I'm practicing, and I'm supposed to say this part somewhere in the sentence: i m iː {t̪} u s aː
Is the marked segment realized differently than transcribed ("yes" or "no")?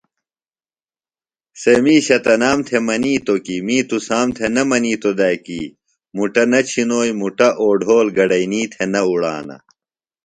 no